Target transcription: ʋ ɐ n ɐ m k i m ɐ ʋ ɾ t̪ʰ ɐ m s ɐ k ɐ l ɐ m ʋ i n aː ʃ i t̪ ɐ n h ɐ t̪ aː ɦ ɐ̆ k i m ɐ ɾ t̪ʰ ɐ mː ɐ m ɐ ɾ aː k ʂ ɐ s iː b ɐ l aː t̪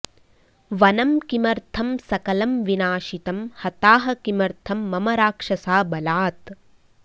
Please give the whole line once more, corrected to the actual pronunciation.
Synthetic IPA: ʋ ɐ n ɐ m k i m ɐ ɾ t̪ʰ ɐ m s ɐ k ɐ l ɐ m ʋ i n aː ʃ i t̪ ɐ m h ɐ t̪ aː ɦ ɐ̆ k i m ɐ ɾ t̪ʰ ɐ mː ɐ m ɐ ɾ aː k ʂ ɐ s aː b ɐ l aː t̪

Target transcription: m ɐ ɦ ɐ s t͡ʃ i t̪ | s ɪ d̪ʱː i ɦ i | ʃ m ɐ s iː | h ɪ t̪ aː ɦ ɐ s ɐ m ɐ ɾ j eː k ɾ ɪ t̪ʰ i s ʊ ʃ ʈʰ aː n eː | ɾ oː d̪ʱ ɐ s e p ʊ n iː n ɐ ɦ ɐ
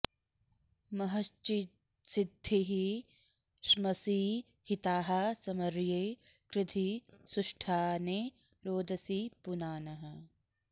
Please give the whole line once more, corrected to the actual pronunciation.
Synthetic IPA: m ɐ ɦ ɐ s t͡ʃ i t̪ | s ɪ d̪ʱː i ɦ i | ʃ m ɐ s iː | h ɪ t̪ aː ɦ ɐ s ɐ m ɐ ɾ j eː k ɾ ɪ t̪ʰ i s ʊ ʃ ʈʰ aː n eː | ɾ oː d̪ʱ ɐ s i p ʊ n aː n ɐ ɦ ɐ

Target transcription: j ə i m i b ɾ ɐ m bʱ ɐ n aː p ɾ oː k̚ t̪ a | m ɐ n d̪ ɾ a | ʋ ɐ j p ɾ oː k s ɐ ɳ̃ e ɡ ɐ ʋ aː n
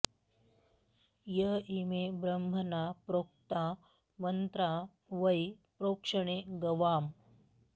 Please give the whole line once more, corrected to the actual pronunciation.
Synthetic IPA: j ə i m e b ɾ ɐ m bʱ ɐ n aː p ɾ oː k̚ t̪ a | m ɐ n t̪ ɾ a | ʋ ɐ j p ɾ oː k ʂ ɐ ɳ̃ e ɡ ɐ ʋ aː m

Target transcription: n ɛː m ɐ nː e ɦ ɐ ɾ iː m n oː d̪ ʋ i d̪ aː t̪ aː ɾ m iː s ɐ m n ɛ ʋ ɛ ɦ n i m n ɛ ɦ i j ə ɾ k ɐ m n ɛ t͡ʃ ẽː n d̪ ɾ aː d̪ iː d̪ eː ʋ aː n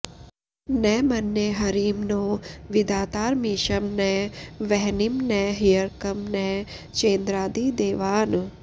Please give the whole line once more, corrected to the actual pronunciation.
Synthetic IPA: n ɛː m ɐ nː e ɦ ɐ ɾ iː m n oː ʋ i d̪ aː t̪ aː ɾ m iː ʃ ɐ m n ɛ ʋ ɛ ɦ n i m n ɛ ɦ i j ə ɾ k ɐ m n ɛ t͡ʃ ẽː n d̪ ɾ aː d̪ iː d̪ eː ʋ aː n

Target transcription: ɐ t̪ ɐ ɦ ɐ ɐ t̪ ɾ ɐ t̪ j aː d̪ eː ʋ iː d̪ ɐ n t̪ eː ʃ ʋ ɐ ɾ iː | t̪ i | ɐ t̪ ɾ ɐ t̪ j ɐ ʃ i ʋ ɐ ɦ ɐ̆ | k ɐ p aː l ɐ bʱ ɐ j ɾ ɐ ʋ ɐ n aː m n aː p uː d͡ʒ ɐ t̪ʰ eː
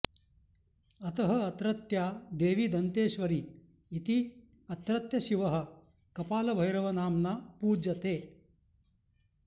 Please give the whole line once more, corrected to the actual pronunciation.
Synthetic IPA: ɐ t̪ ɐ ɦ ɐ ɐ t̪ ɾ ɐ t̪ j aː d̪ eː ʋ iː d̪ ɐ n t̪ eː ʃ ʋ ɐ ɾ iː | t̪ i | ɐ t̪ ɾ ɐ t̪ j ɐ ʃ i ʋ ɐ ɦ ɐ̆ | k ɐ p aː l ɐ bʱ ɐ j ɾ ɐ ʋ ɐ n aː m n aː p uː d͡ʒ ɐ t̪ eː

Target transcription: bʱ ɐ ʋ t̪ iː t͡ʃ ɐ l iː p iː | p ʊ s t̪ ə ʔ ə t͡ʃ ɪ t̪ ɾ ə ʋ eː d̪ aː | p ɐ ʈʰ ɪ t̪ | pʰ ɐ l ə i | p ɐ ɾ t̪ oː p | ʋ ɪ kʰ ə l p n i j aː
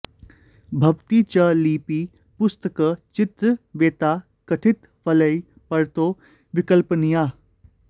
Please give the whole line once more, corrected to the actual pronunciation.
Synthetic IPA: bʱ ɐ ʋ t̪ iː t͡ʃ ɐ l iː p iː | p ʊ s t̪ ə k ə t͡ʃ ɪ t̪ ɾ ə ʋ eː t̪ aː | k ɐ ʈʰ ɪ t̪ | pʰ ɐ l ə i | p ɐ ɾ t̪ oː | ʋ ɪ k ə l p n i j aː

